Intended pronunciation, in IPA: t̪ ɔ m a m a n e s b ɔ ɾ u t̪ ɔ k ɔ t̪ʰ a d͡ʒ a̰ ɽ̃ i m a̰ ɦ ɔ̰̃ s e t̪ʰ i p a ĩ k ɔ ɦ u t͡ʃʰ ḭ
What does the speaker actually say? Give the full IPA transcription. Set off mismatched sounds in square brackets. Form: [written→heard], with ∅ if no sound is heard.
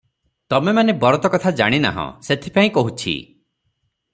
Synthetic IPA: t̪ ɔ m [a→e] m a n e [s→∅] b ɔ ɾ [u→ɔ] t̪ ɔ k ɔ t̪ʰ a d͡ʒ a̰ ɽ̃ i [m→n] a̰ ɦ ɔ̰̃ s e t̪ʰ i p a ĩ k ɔ ɦ u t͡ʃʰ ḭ